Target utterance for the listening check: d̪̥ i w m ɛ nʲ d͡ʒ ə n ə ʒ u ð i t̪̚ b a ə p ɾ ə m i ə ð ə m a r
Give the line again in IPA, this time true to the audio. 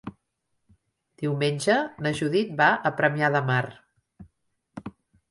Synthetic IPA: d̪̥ i w m e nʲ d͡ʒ ə n ə ʒ u ð i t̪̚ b a ə p ɾ ə m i a ð ə m a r